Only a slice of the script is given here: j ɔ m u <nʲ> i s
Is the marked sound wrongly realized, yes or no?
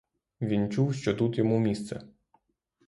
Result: yes